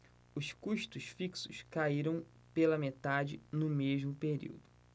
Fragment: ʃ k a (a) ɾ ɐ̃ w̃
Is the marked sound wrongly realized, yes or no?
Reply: yes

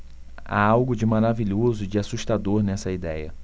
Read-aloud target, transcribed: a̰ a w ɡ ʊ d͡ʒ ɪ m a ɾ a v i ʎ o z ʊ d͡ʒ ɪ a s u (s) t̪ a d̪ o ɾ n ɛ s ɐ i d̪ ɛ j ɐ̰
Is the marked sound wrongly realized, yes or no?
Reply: yes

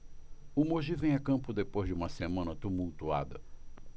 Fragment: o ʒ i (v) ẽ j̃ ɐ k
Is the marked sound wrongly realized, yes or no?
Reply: no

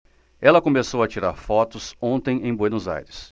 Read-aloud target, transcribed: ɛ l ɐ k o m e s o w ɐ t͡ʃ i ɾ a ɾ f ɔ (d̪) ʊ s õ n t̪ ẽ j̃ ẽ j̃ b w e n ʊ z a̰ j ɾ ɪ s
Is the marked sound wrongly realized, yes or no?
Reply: yes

